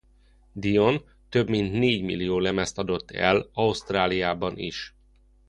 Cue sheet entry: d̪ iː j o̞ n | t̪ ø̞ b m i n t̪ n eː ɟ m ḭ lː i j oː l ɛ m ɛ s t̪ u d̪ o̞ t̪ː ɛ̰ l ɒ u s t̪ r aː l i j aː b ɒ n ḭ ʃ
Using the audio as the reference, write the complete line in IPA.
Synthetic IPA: d̪ i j o̞ n | t̪ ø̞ b m i n t̪ n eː ɟ m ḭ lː i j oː l ɛ m ɛ s t̪ ɒ d̪ o̞ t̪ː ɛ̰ l ɒ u s t̪ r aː l i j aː b ɒ n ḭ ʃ